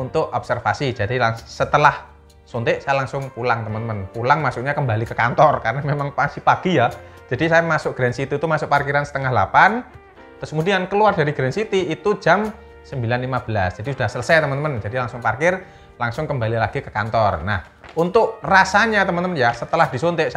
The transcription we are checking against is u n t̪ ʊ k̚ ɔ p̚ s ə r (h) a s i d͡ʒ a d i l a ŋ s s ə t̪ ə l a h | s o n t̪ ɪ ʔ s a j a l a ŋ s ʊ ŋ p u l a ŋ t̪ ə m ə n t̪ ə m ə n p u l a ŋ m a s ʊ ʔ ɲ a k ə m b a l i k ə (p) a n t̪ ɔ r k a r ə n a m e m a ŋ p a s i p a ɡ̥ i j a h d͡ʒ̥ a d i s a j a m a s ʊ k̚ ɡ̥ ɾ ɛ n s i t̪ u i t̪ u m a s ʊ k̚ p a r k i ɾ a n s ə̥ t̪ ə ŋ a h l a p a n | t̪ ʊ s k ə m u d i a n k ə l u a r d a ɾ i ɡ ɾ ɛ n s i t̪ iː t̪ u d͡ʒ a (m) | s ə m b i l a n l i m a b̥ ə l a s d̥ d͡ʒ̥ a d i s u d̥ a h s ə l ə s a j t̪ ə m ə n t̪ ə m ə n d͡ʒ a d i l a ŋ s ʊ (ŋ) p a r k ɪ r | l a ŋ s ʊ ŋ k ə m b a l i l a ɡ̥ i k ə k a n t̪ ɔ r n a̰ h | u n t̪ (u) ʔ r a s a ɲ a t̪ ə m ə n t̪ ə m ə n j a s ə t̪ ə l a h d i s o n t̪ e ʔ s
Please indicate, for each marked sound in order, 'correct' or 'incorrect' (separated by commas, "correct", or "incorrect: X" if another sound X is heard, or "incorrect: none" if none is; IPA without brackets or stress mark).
incorrect: f, incorrect: k, correct, correct, incorrect: ʊ